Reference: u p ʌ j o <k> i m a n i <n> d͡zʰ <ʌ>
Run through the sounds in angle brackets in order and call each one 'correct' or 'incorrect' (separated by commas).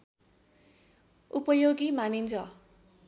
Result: incorrect, correct, correct